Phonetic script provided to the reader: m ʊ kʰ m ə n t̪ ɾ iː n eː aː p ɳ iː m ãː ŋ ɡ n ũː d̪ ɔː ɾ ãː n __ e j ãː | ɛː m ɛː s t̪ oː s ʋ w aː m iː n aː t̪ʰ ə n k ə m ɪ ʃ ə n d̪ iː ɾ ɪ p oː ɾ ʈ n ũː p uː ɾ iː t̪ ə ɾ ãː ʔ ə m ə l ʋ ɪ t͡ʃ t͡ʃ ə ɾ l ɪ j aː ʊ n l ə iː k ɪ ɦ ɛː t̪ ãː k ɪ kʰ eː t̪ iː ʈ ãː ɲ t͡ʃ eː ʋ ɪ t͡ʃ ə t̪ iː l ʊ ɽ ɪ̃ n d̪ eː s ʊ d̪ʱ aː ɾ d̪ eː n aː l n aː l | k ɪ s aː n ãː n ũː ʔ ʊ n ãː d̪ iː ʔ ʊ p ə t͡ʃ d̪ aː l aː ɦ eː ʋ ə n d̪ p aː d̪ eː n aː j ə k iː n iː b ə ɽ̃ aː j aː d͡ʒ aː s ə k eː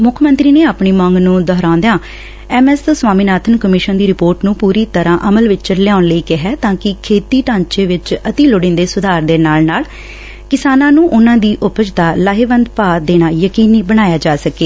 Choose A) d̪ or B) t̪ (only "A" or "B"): A